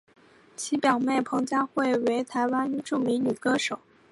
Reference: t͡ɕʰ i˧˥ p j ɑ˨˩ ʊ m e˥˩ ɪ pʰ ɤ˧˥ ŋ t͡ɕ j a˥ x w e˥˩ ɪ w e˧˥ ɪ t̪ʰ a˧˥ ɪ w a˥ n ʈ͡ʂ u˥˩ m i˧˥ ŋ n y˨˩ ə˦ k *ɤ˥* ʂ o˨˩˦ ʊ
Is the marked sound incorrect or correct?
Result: correct